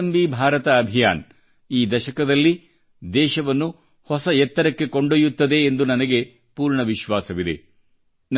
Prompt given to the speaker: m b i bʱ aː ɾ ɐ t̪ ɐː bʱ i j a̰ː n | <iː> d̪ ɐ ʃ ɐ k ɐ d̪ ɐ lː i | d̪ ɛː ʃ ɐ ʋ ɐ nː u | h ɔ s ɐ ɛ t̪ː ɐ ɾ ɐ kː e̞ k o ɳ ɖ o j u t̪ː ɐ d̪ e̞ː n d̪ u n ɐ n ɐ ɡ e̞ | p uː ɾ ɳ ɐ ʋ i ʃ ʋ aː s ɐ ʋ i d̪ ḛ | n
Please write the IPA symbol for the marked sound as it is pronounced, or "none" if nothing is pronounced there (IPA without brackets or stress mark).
iː